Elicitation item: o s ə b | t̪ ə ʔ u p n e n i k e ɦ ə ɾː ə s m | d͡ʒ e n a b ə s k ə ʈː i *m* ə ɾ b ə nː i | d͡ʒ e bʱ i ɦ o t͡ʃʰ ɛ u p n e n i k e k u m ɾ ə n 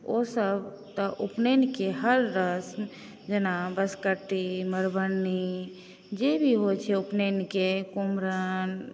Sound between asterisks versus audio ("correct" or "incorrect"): correct